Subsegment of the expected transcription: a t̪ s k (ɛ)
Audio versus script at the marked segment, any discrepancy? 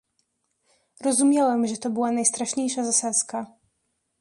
yes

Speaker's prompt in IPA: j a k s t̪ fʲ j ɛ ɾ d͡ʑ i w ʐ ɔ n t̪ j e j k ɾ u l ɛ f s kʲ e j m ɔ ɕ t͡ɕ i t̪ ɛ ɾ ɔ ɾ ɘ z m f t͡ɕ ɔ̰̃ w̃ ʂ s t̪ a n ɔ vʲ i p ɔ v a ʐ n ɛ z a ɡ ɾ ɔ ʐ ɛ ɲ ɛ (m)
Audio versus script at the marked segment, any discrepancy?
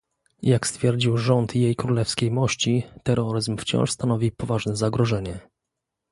yes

